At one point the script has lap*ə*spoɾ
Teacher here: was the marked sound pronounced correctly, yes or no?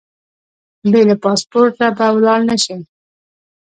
no